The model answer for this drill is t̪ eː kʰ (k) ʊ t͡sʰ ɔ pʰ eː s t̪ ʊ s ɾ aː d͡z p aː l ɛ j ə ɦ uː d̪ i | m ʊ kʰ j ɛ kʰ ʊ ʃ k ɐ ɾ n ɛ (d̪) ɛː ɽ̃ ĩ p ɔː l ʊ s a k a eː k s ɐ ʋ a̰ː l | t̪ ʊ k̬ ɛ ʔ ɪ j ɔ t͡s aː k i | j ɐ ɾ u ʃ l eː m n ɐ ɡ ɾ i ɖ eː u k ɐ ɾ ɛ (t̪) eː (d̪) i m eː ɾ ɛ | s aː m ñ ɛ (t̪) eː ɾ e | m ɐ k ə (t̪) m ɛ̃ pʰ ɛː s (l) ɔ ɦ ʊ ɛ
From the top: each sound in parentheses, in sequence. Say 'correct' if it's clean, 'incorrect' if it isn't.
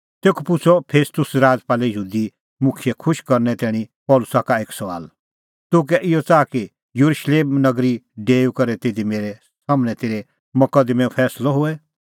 incorrect, incorrect, correct, correct, correct, incorrect, correct

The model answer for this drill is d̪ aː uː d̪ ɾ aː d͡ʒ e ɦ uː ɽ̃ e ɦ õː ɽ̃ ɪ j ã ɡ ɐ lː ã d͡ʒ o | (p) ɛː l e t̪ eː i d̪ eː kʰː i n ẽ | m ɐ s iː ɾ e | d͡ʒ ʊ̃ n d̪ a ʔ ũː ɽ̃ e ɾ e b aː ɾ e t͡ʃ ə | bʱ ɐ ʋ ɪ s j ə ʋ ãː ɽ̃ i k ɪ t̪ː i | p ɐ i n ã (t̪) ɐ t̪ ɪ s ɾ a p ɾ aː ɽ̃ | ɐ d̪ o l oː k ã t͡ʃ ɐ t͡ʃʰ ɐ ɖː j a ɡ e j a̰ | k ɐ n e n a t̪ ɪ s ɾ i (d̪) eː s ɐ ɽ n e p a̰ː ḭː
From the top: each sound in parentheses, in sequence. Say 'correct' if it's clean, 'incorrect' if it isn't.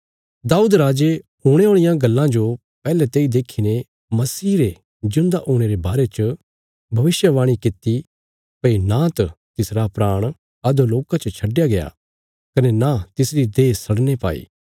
correct, correct, correct

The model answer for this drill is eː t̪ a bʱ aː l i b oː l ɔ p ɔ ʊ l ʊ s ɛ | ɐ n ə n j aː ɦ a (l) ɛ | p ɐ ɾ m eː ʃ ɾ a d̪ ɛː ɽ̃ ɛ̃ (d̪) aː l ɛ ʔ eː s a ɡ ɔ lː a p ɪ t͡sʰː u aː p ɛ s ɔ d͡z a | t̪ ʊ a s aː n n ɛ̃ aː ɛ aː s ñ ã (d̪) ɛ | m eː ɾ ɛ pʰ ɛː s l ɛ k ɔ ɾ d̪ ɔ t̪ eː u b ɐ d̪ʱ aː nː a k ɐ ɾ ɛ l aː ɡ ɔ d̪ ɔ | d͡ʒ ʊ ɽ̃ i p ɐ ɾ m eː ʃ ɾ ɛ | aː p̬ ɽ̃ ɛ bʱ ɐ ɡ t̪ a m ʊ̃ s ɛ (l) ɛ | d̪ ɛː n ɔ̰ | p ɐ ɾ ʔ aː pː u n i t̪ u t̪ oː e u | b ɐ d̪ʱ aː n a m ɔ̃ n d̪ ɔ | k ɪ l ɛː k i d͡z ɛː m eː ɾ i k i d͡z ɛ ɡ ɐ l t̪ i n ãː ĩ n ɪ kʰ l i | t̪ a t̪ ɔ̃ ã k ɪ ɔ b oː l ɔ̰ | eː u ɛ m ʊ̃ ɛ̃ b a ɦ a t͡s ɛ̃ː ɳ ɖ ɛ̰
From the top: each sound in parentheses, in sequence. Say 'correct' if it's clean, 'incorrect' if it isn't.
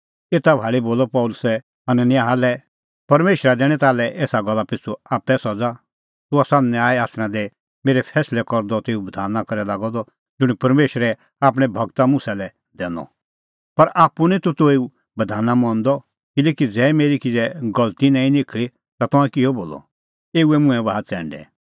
correct, incorrect, correct, correct

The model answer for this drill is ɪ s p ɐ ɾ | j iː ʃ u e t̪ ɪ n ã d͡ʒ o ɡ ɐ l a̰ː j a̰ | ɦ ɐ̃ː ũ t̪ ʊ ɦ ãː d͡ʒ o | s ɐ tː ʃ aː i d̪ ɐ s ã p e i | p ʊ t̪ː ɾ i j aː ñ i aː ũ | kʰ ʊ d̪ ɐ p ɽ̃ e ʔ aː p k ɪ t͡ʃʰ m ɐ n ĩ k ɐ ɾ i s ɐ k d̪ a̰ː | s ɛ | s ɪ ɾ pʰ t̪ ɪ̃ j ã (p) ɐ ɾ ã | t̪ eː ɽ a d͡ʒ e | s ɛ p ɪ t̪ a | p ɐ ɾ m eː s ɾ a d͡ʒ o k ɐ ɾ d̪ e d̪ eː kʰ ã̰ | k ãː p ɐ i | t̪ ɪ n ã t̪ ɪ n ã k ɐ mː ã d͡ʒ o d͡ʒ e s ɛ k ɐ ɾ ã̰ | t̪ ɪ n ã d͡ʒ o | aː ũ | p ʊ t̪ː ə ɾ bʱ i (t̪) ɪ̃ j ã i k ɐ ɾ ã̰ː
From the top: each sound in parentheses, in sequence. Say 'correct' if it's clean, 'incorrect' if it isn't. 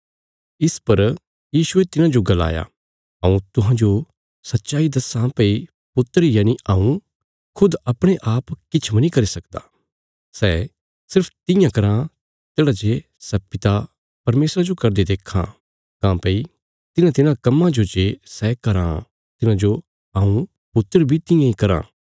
incorrect, correct

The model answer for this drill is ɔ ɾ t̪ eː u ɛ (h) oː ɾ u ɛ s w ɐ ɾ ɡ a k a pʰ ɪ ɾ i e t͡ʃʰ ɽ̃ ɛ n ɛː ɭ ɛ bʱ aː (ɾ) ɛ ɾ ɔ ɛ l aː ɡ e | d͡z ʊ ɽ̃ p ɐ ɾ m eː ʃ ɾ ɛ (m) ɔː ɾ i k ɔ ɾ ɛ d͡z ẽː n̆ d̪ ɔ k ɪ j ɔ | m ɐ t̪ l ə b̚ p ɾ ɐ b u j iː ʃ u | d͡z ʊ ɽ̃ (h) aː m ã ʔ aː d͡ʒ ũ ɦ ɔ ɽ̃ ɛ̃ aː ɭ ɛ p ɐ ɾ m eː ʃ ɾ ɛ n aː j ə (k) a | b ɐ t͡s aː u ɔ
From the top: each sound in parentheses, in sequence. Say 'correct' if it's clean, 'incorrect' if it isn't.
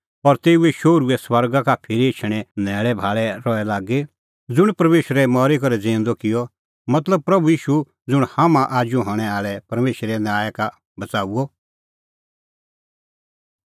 incorrect, incorrect, correct, correct, correct

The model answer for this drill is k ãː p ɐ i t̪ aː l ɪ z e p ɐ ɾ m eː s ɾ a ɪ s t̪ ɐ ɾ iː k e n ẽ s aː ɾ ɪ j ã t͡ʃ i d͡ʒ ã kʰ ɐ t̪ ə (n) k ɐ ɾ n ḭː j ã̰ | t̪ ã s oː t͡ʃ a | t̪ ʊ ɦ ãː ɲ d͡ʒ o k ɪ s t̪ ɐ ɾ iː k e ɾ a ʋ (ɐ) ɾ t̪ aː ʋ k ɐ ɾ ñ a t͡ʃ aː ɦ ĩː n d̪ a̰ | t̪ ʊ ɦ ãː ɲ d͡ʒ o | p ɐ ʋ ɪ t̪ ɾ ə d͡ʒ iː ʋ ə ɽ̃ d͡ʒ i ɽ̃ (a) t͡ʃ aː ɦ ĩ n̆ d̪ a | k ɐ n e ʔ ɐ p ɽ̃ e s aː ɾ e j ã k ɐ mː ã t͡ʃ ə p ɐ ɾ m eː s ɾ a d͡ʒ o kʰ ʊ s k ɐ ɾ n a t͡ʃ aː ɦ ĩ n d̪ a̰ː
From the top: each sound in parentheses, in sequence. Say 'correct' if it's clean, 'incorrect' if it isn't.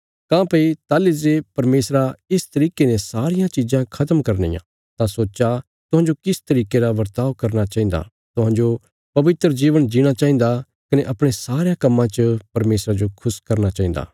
incorrect, correct, correct

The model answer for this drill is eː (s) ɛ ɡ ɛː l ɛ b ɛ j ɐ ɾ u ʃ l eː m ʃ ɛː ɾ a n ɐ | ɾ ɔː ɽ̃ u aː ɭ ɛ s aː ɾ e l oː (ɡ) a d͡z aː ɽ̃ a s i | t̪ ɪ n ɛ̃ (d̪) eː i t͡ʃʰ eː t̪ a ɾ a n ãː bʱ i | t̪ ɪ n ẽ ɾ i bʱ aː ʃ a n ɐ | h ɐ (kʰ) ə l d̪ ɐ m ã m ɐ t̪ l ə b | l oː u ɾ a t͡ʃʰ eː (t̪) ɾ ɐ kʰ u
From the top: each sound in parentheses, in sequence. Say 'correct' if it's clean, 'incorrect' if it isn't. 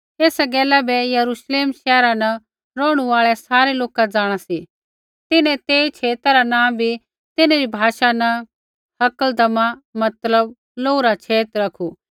correct, incorrect, incorrect, incorrect, correct

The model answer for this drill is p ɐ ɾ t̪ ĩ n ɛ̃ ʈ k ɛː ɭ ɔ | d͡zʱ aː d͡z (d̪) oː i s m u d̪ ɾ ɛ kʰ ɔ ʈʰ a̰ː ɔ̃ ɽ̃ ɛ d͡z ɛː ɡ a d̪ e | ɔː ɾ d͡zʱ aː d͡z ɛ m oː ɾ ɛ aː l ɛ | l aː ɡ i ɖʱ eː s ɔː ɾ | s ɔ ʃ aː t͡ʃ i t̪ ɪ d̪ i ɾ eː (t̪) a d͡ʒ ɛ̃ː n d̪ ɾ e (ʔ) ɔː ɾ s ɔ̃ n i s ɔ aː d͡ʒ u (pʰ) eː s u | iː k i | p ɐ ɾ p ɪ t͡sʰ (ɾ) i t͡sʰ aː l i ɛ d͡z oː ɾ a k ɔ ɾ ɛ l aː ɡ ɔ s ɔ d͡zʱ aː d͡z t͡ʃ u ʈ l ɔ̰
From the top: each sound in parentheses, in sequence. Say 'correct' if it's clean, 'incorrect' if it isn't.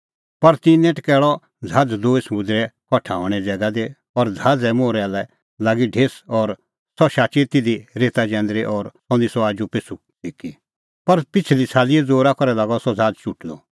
correct, correct, correct, incorrect, incorrect

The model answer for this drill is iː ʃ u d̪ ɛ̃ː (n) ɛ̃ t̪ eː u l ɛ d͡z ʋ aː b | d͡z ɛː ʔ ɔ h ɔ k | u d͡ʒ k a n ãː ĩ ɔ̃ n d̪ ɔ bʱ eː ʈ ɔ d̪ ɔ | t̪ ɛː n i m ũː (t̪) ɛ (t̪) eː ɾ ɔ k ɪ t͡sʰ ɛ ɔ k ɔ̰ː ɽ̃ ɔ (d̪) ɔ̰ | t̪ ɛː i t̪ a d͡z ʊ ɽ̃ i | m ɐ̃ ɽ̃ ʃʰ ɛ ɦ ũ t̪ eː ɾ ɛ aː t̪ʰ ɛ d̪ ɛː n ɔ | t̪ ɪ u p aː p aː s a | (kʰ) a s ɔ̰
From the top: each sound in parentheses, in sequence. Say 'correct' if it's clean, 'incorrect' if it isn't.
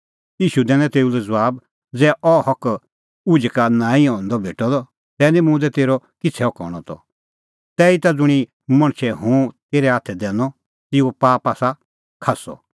correct, incorrect, correct, incorrect, correct

